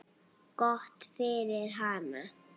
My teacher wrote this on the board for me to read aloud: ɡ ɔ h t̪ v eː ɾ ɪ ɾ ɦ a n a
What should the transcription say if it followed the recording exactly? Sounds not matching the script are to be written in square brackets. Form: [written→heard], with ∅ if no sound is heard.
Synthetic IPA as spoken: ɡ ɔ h t̪ [v→f] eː ɾ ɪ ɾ ɦ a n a